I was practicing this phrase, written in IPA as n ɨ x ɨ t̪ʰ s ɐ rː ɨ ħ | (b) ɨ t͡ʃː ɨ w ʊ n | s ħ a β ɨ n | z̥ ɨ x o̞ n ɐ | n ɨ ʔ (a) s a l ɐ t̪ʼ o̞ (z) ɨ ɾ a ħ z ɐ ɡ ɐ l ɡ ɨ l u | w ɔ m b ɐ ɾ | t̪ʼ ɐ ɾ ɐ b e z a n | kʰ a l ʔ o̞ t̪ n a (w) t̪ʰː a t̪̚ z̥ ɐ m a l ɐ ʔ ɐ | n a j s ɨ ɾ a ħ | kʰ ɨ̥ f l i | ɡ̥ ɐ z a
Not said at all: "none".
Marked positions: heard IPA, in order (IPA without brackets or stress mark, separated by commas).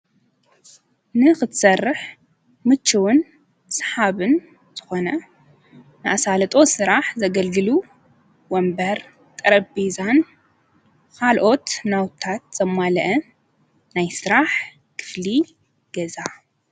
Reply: m, a, s, w